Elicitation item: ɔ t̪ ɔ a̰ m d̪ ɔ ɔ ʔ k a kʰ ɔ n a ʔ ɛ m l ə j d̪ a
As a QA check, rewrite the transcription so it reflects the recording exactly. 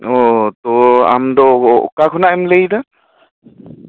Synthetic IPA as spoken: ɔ t̪ ɔ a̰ m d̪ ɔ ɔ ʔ k a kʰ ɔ n a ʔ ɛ m l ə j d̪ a